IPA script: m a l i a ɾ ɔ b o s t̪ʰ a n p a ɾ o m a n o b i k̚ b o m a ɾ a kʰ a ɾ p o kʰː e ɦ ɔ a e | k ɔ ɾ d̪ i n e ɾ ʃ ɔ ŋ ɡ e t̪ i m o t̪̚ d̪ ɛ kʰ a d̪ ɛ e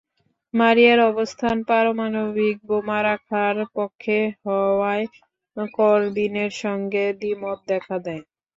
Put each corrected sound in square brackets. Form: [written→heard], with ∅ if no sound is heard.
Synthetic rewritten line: m a [l→ɾ] i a ɾ ɔ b o s t̪ʰ a n p a ɾ o m a n o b i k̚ b o m a ɾ a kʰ a ɾ p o kʰː e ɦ ɔ a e | k ɔ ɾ d̪ i n e ɾ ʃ ɔ ŋ ɡ e [t̪→d̪] i m o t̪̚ d̪ ɛ kʰ a d̪ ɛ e